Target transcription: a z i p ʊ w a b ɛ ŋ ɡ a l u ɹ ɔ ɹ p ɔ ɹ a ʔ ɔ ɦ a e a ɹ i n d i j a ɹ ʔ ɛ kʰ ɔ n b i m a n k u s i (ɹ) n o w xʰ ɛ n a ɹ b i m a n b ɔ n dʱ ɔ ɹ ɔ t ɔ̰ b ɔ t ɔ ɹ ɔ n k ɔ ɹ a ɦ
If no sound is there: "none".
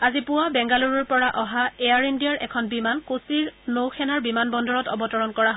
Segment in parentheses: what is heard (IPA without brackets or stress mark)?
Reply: ɹ